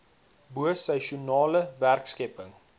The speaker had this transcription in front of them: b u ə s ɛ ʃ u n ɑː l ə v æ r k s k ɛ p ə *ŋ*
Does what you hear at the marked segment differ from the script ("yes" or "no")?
no